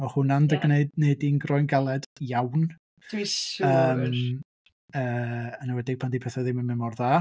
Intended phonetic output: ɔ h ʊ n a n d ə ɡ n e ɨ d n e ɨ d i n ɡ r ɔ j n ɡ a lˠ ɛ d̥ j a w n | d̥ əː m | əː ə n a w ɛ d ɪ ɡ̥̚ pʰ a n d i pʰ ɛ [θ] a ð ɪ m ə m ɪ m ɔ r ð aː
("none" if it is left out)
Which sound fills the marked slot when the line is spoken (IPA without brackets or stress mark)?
θ